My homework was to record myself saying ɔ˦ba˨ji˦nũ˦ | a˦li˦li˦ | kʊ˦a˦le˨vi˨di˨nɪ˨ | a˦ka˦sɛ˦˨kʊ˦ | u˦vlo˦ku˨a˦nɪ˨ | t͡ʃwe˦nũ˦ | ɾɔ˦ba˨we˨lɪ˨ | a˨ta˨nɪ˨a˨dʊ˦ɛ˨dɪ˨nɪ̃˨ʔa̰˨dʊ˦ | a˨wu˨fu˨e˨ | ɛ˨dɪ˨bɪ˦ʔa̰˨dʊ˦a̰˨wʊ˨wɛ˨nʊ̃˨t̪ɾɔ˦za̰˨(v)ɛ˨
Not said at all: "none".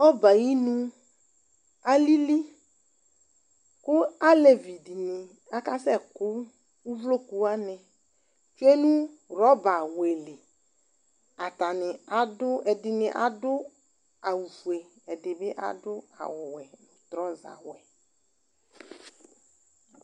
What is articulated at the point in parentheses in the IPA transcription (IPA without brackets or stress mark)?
w